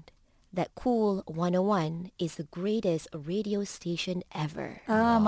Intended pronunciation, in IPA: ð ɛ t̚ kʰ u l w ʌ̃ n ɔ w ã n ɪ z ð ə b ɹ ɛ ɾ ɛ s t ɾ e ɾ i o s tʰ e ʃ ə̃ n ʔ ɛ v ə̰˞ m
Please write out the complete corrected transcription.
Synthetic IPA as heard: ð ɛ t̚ kʰ u l w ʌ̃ n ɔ w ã n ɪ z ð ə ɡ ɹ e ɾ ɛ s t ɹ e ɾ i o s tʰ e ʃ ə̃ n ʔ ɛ v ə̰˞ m